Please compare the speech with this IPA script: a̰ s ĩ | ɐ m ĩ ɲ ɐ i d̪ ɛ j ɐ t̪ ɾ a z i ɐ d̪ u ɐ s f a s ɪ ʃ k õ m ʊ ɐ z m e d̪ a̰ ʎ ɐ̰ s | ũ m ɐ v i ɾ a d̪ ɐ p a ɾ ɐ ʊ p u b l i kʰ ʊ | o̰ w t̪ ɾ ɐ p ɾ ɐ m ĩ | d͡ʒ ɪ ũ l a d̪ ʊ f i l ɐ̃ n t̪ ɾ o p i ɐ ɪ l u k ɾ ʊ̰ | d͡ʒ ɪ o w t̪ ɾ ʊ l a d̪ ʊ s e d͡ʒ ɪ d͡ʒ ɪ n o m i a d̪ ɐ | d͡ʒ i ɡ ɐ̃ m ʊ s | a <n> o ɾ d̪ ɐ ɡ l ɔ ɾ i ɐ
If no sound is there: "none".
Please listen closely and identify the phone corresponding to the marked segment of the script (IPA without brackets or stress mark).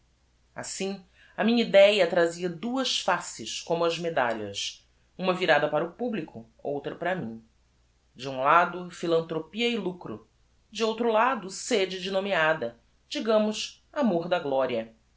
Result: m